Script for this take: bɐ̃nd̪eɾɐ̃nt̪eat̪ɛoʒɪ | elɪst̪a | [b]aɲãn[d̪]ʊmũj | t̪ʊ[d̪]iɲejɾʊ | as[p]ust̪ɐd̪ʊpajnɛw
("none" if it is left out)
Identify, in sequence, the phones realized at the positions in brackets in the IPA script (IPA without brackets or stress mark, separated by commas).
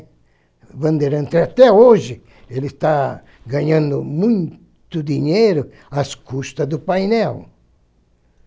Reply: ɡ, d̪, d̪, k